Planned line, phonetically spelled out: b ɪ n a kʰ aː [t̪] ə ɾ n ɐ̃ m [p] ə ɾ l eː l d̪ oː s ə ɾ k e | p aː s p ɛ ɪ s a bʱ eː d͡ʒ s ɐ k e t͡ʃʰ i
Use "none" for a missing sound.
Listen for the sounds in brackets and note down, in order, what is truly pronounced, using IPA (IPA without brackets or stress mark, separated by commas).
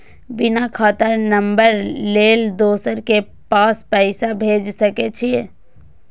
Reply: t̪, b